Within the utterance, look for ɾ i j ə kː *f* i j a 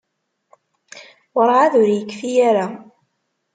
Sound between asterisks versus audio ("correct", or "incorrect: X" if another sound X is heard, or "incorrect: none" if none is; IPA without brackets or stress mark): correct